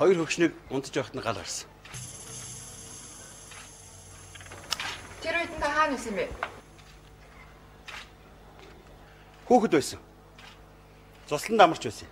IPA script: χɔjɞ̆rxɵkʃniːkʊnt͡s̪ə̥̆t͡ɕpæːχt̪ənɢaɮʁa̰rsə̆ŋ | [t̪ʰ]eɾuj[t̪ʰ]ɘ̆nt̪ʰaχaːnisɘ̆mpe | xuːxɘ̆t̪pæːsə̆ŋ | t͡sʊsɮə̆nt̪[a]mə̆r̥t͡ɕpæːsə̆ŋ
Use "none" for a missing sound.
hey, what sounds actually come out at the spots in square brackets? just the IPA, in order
t̪ʰ, t̪, a

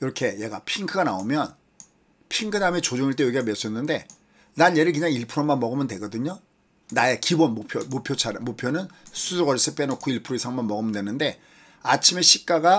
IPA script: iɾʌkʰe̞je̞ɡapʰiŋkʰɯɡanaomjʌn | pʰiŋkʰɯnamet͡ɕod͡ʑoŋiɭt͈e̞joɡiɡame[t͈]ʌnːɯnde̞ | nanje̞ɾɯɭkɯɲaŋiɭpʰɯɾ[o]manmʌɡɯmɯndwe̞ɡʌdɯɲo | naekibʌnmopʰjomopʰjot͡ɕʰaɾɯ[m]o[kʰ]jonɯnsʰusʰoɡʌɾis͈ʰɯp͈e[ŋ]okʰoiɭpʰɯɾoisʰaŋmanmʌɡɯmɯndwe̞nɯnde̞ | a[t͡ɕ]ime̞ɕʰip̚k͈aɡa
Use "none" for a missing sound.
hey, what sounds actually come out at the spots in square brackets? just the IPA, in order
s͈, o, m, pʰ, n, t͡ɕʰ

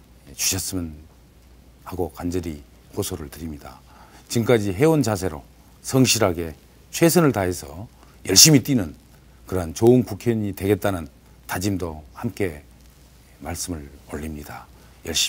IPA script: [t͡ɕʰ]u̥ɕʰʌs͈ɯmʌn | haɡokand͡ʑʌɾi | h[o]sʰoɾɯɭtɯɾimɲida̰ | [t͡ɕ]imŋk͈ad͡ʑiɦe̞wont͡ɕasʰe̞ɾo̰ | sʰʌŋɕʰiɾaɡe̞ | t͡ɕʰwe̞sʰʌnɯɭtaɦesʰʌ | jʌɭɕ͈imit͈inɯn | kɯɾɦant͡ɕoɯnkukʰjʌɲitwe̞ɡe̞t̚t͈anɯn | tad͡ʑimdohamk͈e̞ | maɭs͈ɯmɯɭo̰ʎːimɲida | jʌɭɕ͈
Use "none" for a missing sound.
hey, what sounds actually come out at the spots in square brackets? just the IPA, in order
t͡ɕ, o, t͡ɕ

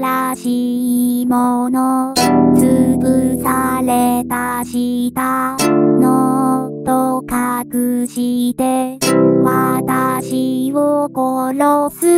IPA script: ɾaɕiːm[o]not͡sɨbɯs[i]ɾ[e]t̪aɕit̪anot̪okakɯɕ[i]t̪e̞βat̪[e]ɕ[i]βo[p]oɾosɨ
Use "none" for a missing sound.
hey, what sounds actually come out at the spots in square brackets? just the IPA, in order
o, a, e, i, a, i, k

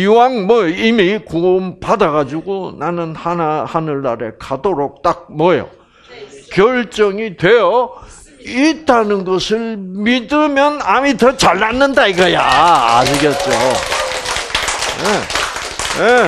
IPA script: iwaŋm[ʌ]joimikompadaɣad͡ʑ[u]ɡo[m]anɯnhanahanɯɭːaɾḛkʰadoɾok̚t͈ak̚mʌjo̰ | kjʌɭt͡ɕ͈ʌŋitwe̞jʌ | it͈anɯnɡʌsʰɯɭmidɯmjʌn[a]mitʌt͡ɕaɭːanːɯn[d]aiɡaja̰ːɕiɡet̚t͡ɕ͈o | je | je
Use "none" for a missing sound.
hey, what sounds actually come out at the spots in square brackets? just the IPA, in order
ʌ, u, n, a, d

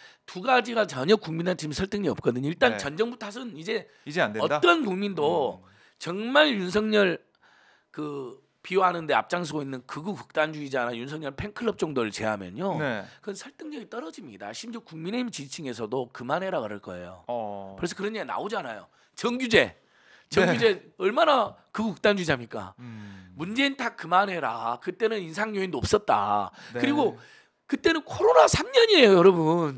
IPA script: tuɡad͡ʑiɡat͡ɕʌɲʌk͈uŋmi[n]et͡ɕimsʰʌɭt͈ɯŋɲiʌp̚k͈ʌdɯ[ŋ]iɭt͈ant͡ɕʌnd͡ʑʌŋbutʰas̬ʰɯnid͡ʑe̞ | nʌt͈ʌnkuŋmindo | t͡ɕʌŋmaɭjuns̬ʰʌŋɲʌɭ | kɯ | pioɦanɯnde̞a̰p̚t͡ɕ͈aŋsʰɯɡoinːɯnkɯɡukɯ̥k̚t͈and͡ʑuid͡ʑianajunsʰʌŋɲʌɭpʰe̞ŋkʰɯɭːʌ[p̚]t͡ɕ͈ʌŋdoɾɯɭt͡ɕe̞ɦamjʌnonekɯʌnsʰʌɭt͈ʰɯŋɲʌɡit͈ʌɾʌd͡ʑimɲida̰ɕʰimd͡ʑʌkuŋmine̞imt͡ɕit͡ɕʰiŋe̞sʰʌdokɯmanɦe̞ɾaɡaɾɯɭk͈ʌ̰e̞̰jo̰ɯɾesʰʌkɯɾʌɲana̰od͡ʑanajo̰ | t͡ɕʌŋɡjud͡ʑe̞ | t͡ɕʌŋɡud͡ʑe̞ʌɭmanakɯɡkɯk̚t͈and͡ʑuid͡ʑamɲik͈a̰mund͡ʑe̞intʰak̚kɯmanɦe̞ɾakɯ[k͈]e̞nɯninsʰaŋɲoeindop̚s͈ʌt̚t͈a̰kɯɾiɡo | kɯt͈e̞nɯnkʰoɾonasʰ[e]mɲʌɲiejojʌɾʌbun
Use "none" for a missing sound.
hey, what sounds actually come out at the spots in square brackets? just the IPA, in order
n, ɲ, p̚, t͈, a

